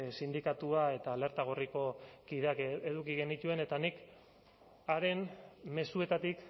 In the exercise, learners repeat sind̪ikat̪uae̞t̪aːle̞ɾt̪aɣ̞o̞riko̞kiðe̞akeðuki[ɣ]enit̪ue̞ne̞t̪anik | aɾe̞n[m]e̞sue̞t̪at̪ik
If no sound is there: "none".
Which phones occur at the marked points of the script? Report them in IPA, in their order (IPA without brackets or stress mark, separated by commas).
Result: ɣ, m